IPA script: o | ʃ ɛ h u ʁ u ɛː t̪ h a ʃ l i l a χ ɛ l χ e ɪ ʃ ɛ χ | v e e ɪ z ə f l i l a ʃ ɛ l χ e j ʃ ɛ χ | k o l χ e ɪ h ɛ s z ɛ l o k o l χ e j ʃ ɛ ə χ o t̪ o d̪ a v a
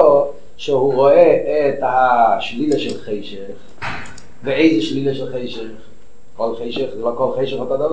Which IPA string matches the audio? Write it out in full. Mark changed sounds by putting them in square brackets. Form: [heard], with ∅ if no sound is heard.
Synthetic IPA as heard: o | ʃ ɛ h u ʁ [o] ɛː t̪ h a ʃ l i l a [ʃ] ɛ l χ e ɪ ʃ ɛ χ | v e e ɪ z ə [ʃ] l i l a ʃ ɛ l χ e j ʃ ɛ χ | k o l χ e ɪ [ʃ] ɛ [χ] z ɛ l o k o l χ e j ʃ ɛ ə χ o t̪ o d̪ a v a